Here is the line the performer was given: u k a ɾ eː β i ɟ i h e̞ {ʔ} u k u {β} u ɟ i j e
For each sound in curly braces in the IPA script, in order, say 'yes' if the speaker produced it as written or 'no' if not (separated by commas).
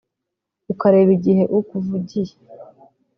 yes, no